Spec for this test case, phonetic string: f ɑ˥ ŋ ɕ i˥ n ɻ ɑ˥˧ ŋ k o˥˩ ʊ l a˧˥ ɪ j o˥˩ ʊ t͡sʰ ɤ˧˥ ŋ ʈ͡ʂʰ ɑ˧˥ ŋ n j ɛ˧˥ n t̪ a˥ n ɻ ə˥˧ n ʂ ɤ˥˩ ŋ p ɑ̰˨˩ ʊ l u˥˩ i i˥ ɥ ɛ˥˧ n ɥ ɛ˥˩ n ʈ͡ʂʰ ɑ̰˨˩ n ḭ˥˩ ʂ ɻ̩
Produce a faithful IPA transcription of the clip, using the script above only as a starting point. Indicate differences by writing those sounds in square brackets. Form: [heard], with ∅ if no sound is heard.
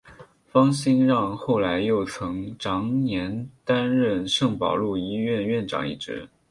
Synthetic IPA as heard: f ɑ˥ ŋ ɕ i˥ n ɻ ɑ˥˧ ŋ [x] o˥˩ ʊ l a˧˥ ɪ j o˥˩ ʊ t͡sʰ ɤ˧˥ ŋ [ʈ͡ʂ] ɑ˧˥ ŋ n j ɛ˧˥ n t̪ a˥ n ɻ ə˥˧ n ʂ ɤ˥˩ ŋ p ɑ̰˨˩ ʊ l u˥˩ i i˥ ɥ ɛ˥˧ n ɥ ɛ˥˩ n [ʈ͡ʂ] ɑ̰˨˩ [ŋ] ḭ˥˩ [ʈ͡ʂ] ɻ̩